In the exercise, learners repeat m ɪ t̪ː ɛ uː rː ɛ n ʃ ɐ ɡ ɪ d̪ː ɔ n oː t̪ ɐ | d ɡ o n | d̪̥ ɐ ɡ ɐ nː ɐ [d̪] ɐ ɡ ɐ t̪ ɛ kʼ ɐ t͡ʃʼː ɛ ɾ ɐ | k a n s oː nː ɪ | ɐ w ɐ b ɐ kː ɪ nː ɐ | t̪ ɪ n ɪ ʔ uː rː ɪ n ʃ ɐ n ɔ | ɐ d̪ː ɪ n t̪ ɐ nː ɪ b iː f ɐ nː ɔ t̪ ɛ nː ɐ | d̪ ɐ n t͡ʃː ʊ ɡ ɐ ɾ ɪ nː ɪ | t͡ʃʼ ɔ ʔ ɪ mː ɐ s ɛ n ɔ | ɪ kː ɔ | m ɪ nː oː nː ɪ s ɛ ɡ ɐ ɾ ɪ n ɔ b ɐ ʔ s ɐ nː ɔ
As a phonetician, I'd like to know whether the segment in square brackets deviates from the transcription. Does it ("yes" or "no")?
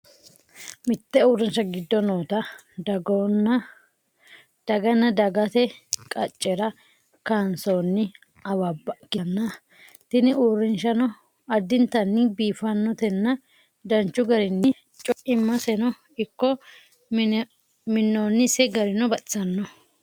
no